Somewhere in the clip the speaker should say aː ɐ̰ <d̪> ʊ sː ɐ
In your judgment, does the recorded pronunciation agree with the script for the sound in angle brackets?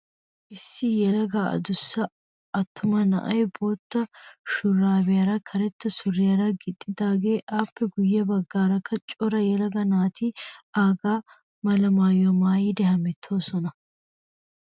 yes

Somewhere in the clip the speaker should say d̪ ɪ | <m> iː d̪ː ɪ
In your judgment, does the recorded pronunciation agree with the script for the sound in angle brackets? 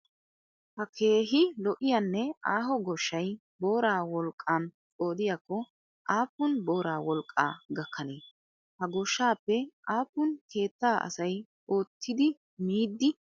yes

